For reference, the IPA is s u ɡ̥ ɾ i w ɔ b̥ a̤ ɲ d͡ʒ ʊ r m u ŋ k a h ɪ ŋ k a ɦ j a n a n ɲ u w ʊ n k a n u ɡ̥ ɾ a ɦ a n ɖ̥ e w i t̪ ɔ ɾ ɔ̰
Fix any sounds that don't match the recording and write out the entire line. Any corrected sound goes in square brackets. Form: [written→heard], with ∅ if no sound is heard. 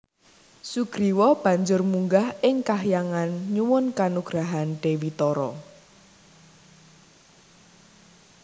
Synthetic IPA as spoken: s u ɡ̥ ɾ i w ɔ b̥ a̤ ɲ d͡ʒ ʊ r m u ŋ [k→ɡ] a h ɪ ŋ k a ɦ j a [n→ŋ] a n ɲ u w ʊ n k a n u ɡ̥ ɾ a ɦ a n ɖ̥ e w i t̪ ɔ ɾ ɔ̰